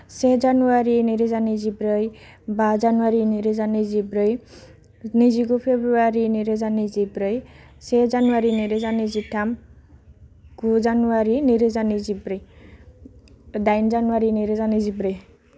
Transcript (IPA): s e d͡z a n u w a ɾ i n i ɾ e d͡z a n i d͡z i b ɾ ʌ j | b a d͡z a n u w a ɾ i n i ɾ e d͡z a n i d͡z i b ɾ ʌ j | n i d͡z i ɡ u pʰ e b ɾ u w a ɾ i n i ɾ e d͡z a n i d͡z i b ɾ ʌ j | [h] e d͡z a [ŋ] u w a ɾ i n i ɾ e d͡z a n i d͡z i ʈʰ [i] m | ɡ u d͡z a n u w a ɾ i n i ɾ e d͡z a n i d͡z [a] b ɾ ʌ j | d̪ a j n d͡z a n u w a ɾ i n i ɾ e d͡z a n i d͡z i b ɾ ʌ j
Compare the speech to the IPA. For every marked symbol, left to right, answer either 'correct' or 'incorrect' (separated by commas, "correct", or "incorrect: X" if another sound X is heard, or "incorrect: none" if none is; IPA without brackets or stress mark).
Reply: incorrect: s, incorrect: n, incorrect: a, incorrect: i